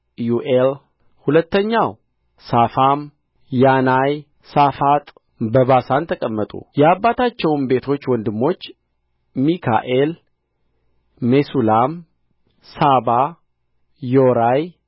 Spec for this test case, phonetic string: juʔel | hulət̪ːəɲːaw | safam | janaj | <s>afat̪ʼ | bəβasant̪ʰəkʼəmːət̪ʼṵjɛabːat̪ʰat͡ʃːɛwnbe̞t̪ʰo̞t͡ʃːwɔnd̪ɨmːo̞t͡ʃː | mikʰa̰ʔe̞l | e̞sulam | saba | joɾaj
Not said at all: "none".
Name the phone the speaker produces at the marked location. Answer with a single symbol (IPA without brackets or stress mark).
s